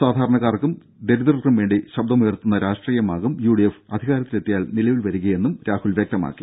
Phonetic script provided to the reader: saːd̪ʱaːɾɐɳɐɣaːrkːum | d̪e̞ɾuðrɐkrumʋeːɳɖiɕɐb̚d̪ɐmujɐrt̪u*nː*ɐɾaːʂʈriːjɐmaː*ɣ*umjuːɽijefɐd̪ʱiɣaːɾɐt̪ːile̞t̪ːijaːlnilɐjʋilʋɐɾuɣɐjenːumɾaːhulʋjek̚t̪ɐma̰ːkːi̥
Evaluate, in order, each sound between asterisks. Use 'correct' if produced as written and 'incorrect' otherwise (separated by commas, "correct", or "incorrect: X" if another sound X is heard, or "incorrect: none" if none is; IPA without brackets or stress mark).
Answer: correct, correct